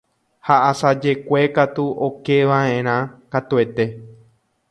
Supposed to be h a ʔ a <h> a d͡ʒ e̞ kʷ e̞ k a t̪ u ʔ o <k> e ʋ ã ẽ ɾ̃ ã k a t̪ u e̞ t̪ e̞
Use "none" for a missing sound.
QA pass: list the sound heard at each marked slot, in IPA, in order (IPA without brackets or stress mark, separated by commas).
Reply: s, k